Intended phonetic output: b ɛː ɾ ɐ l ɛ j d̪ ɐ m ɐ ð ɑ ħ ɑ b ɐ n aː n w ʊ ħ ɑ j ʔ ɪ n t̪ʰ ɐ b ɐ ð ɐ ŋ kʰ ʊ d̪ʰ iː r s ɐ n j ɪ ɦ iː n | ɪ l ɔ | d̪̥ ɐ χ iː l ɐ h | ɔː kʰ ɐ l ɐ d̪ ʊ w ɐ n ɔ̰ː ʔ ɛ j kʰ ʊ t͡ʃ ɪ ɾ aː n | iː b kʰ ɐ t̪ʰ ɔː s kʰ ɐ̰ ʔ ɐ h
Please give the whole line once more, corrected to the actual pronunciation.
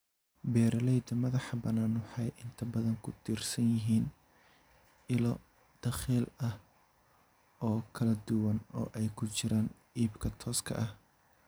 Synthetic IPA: b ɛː ɾ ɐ l ɛ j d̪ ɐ m ɐ ð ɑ ħ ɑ b ɐ n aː n w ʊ ħ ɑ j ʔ ɪ n t̪ʰ ɐ b ɐ ð ɐ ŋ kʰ ʊ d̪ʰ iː r s ɐ n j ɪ ɦ iː n | ɪ l ɔ | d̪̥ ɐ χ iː l ɐ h | ɔː kʰ ɐ l ɐ d̪ ʊ w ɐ n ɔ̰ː ʔ ɛ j kʰ ʊ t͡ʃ ɪ ɾ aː n | iː b kʰ ɐ t̪ʰ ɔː s kʰ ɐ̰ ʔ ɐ h